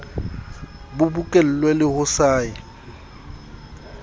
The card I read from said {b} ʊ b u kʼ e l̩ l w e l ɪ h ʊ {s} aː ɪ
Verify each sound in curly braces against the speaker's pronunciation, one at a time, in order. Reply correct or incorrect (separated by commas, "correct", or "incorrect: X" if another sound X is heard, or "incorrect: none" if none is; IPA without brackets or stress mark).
correct, correct